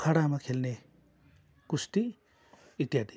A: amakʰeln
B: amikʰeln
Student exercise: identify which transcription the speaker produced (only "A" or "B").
A